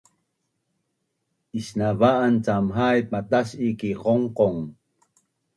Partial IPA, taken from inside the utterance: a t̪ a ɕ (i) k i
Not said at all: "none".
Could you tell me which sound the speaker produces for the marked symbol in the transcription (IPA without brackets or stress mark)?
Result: i